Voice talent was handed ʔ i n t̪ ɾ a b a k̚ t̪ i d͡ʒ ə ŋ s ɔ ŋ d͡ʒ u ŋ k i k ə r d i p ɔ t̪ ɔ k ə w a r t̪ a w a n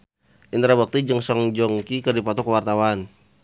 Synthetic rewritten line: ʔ i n t̪ ɾ a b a k̚ t̪ i d͡ʒ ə ŋ s ɔ ŋ d͡ʒ ɔ ŋ k i k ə r d i p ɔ t̪ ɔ k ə w a r t̪ a w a n